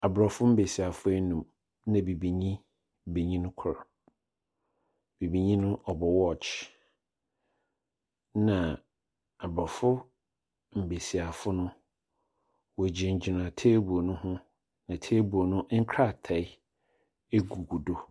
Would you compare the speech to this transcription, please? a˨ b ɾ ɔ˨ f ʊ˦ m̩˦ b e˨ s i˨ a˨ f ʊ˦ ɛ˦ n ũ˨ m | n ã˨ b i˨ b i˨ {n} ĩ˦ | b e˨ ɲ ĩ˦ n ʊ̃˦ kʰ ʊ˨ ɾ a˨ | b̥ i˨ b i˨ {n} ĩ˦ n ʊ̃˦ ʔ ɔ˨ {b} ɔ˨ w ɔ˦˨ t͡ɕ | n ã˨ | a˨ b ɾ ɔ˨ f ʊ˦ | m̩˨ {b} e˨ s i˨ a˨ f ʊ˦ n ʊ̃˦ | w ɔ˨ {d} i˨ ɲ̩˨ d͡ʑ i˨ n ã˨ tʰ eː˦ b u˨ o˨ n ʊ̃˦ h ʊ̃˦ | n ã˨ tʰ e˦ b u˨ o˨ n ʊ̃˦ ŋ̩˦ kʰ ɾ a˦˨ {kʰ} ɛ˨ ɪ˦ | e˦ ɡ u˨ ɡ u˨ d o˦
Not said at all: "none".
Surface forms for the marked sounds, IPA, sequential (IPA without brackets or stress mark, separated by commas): ɲ, ɲ, b, b, d͡ʑ, tʰ